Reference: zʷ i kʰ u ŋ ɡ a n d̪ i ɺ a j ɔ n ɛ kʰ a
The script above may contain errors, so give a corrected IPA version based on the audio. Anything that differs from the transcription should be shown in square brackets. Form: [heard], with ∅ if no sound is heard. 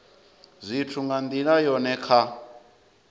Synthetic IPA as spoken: zʷ i [tʰ] u ŋ ɡ a n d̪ i ɺ a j ɔ n ɛ kʰ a